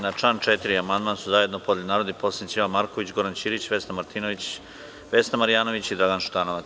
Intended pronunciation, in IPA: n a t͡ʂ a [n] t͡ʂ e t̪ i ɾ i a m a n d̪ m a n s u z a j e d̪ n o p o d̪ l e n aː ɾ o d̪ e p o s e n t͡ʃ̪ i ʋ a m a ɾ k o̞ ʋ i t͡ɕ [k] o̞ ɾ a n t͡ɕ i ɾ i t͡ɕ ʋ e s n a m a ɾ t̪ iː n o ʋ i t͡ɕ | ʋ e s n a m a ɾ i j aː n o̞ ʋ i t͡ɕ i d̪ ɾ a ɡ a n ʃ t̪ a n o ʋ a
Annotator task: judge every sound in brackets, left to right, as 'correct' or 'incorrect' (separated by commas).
correct, incorrect